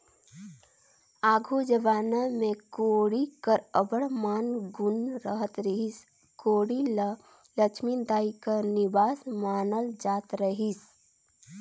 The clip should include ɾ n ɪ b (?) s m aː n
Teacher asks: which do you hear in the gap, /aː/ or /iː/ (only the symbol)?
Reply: aː